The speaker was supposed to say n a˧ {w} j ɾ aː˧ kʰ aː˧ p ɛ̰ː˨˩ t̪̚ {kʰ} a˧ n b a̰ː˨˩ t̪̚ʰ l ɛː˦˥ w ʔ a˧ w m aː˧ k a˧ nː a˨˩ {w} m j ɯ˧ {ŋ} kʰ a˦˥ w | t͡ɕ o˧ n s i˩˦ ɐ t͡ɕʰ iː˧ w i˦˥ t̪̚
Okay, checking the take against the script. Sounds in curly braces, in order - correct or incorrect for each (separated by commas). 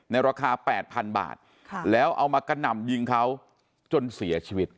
incorrect, incorrect, incorrect, correct